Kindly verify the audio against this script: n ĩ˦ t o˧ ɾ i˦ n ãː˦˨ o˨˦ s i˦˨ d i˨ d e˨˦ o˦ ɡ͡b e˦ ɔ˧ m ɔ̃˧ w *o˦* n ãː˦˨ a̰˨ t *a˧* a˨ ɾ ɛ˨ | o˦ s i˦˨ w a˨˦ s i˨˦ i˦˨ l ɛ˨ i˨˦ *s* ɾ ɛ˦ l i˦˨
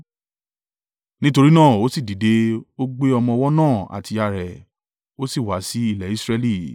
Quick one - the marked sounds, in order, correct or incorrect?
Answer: incorrect, incorrect, correct

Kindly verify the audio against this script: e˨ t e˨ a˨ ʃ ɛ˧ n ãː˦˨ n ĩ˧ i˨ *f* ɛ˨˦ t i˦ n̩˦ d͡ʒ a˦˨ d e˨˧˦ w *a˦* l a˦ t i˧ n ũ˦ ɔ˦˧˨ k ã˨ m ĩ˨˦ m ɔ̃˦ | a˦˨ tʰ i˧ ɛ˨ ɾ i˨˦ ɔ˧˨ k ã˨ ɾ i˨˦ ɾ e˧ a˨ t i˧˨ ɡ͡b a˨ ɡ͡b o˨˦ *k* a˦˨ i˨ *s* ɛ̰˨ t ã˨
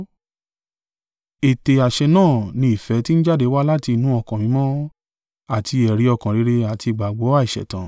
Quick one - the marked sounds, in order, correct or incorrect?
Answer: correct, correct, incorrect, incorrect

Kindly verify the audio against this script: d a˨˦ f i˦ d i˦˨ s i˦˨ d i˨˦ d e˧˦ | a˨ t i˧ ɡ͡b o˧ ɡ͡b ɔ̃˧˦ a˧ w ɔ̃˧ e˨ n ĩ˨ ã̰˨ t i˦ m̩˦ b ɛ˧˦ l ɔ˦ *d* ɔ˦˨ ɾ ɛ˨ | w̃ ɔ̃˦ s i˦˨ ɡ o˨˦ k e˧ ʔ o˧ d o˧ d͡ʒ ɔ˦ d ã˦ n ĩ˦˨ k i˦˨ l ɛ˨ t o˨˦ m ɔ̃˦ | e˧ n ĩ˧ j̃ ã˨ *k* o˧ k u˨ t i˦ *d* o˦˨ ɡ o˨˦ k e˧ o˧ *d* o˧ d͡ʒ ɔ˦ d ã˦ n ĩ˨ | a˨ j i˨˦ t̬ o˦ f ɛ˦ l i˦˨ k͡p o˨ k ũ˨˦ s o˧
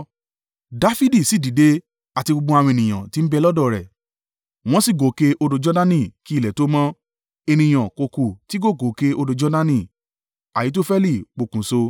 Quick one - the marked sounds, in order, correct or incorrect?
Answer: correct, correct, incorrect, correct

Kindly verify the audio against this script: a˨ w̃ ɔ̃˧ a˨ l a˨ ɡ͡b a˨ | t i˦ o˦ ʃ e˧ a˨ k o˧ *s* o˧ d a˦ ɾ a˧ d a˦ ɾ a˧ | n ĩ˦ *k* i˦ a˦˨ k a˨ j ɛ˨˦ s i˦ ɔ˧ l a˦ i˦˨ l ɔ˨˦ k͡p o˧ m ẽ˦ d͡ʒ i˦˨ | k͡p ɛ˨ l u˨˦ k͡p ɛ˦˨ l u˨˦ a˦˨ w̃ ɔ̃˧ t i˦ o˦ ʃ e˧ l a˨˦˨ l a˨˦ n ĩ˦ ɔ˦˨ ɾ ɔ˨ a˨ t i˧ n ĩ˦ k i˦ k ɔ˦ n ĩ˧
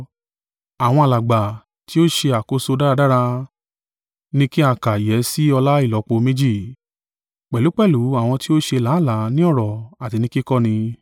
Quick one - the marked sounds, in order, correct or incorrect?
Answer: correct, correct

